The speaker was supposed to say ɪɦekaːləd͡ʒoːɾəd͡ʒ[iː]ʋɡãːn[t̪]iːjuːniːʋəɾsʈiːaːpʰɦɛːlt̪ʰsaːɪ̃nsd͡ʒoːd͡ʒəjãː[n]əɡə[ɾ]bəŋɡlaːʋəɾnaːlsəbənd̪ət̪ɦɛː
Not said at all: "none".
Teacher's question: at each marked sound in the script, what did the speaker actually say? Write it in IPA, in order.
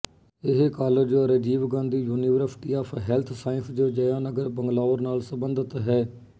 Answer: iː, d̪, n, ɾ

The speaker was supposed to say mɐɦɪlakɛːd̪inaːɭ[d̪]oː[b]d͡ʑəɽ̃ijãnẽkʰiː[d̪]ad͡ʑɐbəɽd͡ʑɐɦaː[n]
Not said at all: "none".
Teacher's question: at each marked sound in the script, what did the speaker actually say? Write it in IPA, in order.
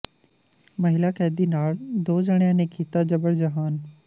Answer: d̪, none, t̪, n

